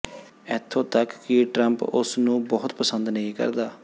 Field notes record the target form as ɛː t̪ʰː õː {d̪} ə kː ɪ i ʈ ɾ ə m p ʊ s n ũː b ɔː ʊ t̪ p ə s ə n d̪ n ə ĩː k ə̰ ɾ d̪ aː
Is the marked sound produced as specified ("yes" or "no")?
no